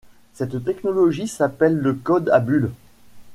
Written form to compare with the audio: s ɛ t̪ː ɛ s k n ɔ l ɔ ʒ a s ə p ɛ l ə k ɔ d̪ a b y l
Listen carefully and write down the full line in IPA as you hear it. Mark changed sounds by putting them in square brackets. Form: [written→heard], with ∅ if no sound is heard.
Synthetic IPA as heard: s ɛ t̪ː ɛ [s→∅] k n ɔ l ɔ ʒ [a→i] s [ə→a] p ɛ [l→lː] ə k ɔ d̪ a b y l